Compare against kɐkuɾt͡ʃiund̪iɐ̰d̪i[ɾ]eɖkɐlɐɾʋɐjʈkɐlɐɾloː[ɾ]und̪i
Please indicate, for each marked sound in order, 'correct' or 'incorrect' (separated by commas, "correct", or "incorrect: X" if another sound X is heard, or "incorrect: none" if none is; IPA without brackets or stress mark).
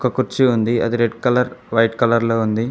correct, incorrect: none